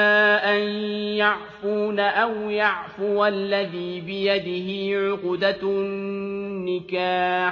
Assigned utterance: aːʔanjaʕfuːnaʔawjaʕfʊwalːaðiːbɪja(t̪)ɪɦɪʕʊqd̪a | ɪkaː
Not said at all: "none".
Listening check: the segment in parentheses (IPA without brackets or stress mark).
d̪